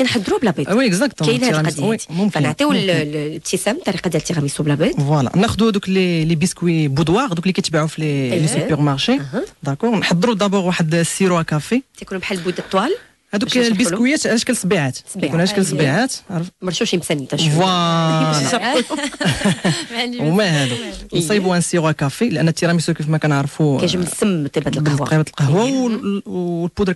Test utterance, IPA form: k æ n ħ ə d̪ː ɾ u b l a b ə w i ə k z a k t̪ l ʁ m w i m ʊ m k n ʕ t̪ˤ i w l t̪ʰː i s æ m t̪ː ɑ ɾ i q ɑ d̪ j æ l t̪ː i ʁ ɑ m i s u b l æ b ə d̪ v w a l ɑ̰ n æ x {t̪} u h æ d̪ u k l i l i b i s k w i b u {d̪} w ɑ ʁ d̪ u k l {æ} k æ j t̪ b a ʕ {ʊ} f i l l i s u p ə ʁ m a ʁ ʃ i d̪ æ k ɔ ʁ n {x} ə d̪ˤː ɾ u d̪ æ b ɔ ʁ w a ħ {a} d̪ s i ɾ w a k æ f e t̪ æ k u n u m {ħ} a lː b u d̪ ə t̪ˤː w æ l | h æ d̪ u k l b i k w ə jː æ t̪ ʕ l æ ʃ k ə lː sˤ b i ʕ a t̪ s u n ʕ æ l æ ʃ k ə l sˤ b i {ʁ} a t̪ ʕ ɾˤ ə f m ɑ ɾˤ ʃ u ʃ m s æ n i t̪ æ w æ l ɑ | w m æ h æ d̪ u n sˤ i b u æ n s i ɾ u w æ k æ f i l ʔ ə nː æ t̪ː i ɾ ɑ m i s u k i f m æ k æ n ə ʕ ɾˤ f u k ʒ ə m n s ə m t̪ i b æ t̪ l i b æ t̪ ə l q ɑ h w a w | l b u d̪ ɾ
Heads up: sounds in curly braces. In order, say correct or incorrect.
incorrect: d̪, correct, incorrect: i, incorrect: u, incorrect: ħ, incorrect: ə, correct, incorrect: ʕ

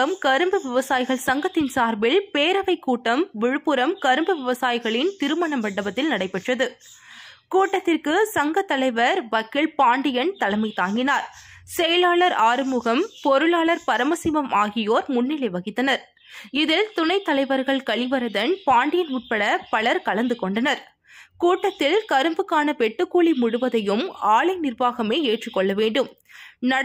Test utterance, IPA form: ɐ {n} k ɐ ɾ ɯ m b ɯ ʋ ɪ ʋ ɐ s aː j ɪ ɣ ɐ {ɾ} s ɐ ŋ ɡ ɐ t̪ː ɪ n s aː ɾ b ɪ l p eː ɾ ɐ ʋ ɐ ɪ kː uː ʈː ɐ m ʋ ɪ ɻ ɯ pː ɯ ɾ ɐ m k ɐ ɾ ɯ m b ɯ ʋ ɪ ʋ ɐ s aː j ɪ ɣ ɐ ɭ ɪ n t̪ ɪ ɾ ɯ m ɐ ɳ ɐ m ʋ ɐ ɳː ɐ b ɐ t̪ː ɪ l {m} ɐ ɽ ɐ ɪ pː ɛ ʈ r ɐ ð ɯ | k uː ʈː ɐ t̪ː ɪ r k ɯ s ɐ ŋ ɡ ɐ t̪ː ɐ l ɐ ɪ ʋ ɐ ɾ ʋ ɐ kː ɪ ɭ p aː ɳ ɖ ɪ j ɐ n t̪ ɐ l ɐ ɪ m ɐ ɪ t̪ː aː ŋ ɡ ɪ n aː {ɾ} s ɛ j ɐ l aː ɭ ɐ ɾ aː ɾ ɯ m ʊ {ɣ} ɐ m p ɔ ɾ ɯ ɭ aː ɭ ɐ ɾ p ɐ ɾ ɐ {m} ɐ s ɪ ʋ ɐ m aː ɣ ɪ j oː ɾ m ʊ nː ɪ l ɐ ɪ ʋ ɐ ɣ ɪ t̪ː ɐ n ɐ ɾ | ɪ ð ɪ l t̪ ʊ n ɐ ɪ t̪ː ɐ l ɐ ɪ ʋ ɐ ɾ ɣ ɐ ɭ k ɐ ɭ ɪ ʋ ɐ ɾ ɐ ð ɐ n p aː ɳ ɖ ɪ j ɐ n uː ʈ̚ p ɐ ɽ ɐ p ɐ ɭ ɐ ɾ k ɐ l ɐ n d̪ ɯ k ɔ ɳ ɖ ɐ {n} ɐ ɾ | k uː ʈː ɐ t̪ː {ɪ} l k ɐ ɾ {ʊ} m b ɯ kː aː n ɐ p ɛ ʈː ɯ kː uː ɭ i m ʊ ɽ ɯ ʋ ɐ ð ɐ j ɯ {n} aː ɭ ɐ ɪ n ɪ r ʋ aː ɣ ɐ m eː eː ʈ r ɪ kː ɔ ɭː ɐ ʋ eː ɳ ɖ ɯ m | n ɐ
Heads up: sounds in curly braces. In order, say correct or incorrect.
incorrect: m, incorrect: ɭ, incorrect: n, correct, correct, correct, correct, correct, incorrect: ɯ, incorrect: m

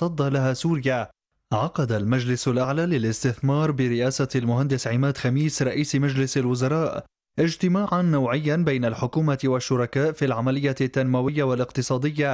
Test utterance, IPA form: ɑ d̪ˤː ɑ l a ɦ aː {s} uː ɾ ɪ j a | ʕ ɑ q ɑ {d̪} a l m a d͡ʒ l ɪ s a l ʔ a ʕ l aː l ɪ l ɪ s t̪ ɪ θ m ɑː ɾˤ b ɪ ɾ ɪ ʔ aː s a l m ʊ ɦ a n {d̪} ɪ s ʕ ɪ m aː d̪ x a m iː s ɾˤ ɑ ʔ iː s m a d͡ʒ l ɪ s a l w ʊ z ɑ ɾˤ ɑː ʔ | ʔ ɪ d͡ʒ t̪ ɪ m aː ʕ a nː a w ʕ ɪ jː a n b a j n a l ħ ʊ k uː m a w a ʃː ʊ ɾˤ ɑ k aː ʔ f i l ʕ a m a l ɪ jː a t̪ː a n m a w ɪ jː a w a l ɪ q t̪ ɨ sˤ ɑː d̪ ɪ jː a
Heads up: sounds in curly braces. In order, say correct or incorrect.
correct, correct, correct

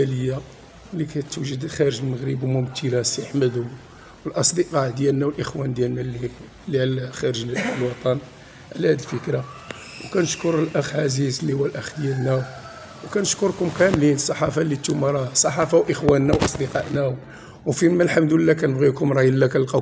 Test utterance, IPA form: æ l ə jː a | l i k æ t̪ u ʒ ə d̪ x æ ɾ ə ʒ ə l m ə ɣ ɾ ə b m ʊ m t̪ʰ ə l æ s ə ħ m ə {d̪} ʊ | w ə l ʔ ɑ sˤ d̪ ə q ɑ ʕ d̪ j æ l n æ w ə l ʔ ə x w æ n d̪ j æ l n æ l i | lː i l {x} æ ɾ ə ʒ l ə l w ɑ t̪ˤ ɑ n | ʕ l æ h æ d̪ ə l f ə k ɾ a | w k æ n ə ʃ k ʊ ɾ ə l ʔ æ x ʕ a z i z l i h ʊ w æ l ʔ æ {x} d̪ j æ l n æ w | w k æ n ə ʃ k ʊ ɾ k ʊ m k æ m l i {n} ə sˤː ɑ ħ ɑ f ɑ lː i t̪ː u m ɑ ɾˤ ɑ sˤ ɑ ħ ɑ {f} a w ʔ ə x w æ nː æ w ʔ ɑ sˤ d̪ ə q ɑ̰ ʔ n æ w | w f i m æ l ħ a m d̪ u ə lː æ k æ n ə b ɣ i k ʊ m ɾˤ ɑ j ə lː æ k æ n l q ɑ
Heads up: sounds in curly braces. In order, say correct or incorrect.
correct, correct, correct, correct, correct

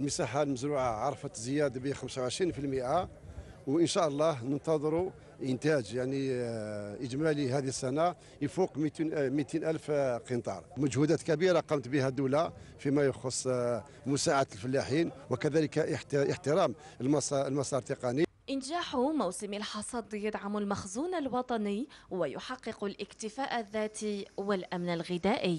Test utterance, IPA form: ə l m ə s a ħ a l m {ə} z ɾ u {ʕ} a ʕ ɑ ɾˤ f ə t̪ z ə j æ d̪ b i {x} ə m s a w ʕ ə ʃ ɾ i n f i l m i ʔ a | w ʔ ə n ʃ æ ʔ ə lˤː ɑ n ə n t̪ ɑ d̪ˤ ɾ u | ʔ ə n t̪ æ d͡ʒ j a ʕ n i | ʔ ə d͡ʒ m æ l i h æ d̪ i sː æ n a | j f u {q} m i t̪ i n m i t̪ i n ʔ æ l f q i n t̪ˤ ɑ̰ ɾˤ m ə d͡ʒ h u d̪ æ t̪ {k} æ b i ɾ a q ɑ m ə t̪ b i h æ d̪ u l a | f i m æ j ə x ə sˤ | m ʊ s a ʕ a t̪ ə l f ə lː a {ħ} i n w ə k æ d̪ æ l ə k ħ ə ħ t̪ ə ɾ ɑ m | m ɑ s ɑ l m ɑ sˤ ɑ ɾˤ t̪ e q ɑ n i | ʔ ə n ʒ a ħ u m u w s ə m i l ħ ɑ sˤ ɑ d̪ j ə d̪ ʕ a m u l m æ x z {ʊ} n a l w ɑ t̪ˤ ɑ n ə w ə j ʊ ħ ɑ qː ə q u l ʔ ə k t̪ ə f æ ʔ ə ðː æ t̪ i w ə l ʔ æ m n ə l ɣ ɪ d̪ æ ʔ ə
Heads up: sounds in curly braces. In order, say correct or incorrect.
correct, correct, correct, correct, correct, correct, incorrect: u

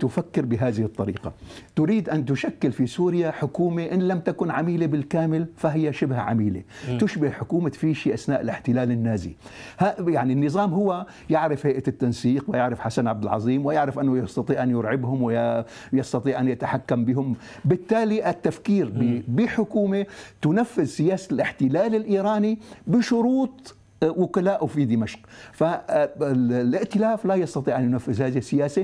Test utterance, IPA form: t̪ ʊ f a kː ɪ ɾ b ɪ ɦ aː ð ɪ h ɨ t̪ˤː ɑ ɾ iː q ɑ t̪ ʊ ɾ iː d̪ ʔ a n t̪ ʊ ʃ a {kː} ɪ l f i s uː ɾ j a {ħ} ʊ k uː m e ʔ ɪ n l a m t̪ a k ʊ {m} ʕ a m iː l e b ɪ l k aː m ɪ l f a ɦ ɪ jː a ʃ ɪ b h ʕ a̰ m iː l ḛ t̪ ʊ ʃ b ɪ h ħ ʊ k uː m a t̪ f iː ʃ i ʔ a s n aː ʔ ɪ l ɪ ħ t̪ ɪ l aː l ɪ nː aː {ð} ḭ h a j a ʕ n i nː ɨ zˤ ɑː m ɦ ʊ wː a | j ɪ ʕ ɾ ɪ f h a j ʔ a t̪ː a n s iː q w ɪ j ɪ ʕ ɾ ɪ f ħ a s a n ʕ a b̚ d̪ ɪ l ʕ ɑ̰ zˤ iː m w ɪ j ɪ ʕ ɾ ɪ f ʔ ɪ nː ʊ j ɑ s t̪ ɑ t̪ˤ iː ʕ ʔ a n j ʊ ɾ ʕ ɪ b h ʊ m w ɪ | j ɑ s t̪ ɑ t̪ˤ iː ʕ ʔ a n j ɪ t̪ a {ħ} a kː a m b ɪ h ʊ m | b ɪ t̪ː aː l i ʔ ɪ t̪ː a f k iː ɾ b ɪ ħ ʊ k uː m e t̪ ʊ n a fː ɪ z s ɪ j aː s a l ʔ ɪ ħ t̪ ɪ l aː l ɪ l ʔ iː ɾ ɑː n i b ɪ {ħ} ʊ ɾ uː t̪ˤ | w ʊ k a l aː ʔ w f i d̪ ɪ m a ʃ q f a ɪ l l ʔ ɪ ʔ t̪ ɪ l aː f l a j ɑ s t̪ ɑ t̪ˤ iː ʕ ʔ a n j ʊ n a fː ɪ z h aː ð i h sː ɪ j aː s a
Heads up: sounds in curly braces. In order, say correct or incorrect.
correct, correct, incorrect: n, incorrect: z, correct, incorrect: ʃ

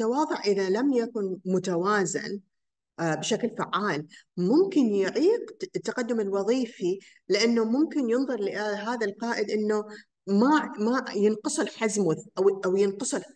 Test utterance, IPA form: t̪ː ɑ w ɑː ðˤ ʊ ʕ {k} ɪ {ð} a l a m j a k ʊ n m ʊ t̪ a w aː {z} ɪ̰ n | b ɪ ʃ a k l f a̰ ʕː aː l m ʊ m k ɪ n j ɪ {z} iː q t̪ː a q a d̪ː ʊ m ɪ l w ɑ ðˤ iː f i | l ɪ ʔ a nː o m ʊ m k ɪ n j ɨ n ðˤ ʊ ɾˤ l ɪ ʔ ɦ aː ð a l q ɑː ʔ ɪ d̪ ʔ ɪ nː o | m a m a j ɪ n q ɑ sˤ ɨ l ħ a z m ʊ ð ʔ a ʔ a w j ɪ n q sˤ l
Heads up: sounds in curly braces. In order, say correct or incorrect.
incorrect: ʔ, correct, correct, incorrect: ʕ

